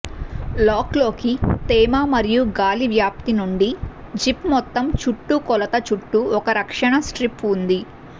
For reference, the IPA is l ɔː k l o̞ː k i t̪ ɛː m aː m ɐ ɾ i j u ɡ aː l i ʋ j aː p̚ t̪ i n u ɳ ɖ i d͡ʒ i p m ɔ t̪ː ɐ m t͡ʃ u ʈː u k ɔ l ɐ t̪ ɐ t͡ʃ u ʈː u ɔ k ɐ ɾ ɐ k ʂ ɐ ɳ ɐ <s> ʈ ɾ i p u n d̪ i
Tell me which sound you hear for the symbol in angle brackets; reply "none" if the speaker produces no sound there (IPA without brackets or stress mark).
s